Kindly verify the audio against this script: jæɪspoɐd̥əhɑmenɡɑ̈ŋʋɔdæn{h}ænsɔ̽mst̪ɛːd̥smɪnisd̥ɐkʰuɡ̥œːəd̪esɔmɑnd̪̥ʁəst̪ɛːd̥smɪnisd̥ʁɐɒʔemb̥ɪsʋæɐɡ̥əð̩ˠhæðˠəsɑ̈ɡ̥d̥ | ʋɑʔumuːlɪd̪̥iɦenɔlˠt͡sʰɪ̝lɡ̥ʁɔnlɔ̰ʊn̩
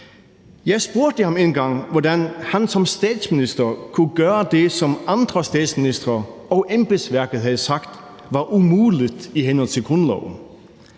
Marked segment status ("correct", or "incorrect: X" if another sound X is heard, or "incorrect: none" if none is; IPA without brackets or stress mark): correct